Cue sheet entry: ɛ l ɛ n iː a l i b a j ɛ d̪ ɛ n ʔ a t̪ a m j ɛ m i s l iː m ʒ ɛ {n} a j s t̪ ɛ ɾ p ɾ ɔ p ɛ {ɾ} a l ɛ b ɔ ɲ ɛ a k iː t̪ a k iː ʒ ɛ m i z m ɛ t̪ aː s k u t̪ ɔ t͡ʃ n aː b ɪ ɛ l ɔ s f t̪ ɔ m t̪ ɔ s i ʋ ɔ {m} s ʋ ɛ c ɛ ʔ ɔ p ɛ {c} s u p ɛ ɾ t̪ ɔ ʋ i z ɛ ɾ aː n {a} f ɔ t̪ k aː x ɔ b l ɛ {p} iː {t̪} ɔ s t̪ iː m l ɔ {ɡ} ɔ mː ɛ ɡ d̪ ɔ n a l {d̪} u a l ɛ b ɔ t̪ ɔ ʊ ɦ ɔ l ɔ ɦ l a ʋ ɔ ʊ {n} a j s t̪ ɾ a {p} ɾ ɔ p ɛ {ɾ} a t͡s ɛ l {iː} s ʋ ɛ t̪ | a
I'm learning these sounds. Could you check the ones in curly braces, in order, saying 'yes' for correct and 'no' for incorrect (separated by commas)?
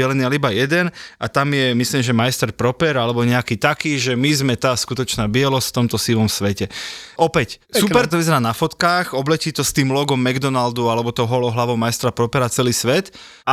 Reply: no, yes, yes, yes, yes, no, yes, yes, yes, no, yes, yes, yes